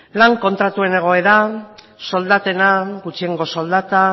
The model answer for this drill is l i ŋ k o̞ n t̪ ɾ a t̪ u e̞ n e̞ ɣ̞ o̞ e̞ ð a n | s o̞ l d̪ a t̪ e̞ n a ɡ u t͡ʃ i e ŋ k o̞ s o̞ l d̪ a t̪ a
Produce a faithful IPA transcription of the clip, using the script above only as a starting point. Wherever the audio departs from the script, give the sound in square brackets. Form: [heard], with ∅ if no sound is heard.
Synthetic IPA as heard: l [a] ŋ k o̞ n t̪ ɾ a t̪ u e̞ n e̞ ɣ̞ o̞ e̞ ð a [∅] | s o̞ l d̪ a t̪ e̞ n a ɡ u t͡ʃ i e ŋ [ɡ] o̞ s o̞ l d̪ a t̪ a